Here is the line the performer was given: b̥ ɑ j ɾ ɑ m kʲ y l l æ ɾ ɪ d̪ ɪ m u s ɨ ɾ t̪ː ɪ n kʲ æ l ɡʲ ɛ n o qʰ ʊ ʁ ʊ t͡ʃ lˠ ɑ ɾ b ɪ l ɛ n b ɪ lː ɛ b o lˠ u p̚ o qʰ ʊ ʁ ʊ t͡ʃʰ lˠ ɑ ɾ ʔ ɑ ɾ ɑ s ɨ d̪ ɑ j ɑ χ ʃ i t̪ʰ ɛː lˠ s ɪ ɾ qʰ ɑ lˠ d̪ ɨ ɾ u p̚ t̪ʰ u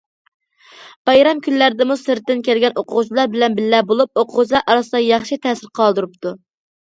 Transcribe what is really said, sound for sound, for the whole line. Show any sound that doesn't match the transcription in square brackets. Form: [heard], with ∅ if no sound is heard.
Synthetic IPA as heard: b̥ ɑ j ɾ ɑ m kʲ y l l æ ɾ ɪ d̪ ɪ m u s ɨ ɾ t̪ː ɪ n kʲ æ l ɡʲ ɛ n o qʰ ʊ ʁ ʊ t͡ʃ lˠ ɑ ɾ b ɪ l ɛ n b ɪ lː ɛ b o lˠ u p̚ o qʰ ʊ ʁ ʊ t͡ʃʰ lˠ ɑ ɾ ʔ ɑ ɾ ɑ s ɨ d̪ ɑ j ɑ χ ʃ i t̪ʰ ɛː [∅] s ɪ ɾ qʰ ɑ lˠ d̪ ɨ ɾ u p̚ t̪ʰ u